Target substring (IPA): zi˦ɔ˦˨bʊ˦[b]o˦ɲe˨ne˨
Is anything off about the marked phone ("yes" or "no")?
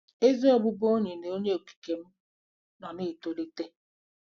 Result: no